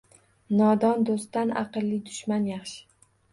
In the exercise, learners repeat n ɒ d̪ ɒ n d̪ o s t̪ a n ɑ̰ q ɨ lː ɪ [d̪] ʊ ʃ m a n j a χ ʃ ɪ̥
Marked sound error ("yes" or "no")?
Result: no